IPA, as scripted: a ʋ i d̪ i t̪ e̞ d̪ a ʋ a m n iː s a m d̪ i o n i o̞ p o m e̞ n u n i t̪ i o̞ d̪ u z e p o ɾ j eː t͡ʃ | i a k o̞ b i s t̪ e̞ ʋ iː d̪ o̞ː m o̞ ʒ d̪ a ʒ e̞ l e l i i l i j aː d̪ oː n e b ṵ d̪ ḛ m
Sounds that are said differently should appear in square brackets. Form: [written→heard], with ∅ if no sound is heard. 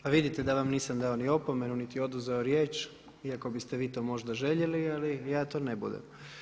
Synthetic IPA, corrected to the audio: a ʋ i d̪ i t̪ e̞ d̪ a ʋ a m n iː s a m d̪ [i→a] o n i o̞ p o m e̞ n u n i t̪ i o̞ d̪ u z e [p→∅] o ɾ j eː t͡ʃ | i a k o̞ b i s t̪ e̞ ʋ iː [d̪→t̪] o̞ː m o̞ ʒ d̪ a ʒ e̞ [l→ʎ] e l i [i→a] l i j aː [d̪→t̪] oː n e b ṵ d̪ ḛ m